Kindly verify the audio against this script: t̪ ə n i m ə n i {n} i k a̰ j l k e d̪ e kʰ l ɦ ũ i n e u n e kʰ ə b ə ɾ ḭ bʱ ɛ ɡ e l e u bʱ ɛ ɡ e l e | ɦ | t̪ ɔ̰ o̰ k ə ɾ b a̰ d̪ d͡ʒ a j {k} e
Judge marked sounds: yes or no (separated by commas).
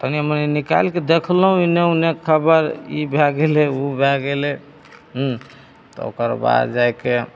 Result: yes, yes